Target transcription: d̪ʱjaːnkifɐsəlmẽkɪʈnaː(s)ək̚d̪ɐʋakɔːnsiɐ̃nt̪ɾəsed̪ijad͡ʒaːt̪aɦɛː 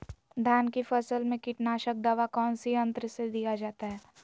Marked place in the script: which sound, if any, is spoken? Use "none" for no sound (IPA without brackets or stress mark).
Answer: ʃ